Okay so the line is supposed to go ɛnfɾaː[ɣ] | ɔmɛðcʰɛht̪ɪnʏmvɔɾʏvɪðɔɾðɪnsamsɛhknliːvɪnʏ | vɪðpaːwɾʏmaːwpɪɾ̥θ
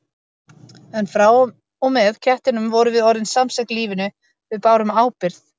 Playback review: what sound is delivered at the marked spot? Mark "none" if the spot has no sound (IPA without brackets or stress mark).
w